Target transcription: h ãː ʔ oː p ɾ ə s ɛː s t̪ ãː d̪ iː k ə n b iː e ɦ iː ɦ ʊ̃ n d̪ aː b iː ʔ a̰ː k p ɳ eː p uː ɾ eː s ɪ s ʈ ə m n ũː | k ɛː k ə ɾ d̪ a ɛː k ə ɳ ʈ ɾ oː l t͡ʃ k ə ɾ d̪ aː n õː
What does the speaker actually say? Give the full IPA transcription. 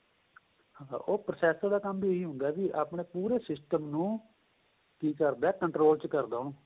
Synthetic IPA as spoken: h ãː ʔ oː p ɾ ə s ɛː s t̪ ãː d̪ aː k ə m b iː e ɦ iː ɦ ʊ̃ n d̪ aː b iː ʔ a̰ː p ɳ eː p uː ɾ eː s ɪ s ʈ ə m n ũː | k iː k ə ɾ d̪ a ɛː k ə ɳ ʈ ɾ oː l t͡ʃ k ə ɾ d̪ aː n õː